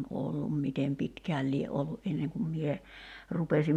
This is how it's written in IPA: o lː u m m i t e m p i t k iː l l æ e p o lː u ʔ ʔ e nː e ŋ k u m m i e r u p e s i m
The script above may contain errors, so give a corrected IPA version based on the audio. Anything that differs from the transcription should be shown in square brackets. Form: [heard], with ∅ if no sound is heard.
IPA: o lː u m m i t e m p i t k [æː] l l [i] e [ʔ] o lː u ʔ ʔ e nː e ŋ k u m m i e r u p e s i m